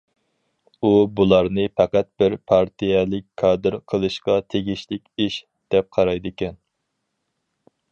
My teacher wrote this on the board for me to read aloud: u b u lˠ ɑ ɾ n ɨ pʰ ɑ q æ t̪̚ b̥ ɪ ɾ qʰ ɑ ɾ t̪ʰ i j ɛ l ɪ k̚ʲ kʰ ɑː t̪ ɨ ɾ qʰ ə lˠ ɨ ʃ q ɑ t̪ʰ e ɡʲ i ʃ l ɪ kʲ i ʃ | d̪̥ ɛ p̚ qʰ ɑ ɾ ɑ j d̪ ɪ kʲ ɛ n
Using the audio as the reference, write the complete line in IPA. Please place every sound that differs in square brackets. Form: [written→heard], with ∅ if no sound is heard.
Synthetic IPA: u b u lˠ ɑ ɾ n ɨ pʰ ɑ q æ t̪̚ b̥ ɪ ɾ [qʰ→pʰ] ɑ ɾ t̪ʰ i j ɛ l ɪ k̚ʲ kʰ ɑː [t̪→d̪] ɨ ɾ qʰ ə lˠ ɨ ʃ q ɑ t̪ʰ e ɡʲ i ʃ l ɪ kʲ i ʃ | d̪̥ ɛ p̚ qʰ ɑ ɾ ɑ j d̪ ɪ kʲ ɛ n